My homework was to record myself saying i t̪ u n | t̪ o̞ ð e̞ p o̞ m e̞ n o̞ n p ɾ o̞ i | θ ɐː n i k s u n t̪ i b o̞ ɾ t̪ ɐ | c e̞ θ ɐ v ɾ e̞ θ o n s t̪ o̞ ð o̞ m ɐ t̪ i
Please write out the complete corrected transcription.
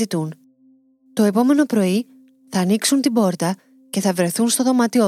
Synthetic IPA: i t̪ u n | t̪ o̞ e̞ p o̞ m e̞ n o̞ p ɾ o̞ i | θ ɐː n i k s u n t̪ i b o̞ ɾ t̪ ɐ | c e̞ θ ɐ v ɾ e̞ θ u n s t̪ o̞ ð o̞ m ɐ t̪ i